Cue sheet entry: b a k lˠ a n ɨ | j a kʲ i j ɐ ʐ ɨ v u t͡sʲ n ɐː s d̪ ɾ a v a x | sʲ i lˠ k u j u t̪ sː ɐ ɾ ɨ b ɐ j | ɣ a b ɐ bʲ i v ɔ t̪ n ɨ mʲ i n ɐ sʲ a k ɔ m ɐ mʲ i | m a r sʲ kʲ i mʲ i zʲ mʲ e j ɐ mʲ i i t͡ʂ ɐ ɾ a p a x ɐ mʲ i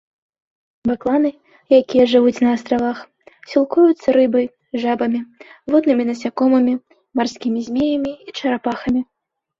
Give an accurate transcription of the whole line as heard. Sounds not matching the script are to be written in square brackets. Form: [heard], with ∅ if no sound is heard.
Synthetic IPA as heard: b a k lˠ a n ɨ | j a kʲ i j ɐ ʐ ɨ v u t͡sʲ n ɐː s [t̪] ɾ a v a x | sʲ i lˠ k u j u t̪ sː ɐ ɾ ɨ b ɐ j | [ʐ] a b ɐ [mʲ] i v ɔ [d̪] n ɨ mʲ i n ɐ sʲ a k ɔ m ɐ mʲ i | m a r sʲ kʲ i mʲ i zʲ mʲ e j ɐ mʲ i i t͡ʂ ɐ ɾ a p a x ɐ mʲ i